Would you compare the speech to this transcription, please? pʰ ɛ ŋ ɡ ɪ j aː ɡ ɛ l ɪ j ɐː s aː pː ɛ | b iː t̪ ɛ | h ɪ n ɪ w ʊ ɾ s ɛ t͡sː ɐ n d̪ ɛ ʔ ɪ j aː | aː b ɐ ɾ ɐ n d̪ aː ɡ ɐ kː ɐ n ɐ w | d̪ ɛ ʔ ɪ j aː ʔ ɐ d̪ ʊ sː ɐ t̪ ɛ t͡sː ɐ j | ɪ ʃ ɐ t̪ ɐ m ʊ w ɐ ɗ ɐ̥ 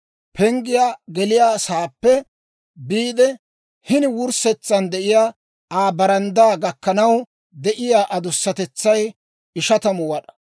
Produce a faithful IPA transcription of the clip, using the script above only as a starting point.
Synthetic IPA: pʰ ɛ ŋ ɡ ɪ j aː ɡ ɛ l ɪ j aː s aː pː ɛ | b iː d̪ ɛ | h ɪ n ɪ w ʊ ɾ s ɛ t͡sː ɐ n d̪ ɛ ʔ ɪ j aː | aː b ɐ ɾ ɐ n d̪ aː ɡ ɐ kː ɐ n ɐ w | d̪ ɛ ʔ ɪ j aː ʔ ɐ d̪ ʊ sː ɐ t̪ ɛ t͡sː ɐ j | ɪ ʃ ɐ t̪ ɐ m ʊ w ɐ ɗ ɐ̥